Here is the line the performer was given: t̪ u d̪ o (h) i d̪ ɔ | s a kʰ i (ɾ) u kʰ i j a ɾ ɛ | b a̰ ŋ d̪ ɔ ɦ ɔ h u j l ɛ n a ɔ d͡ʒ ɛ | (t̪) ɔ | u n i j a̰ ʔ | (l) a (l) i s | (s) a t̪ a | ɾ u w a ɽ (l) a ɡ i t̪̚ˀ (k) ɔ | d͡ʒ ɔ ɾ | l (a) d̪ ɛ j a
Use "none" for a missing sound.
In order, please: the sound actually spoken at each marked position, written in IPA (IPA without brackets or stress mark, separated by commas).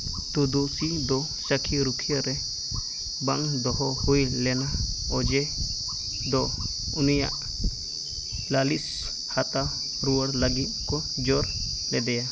s, ɾ, d̪, l, l, h, l, k, ɛ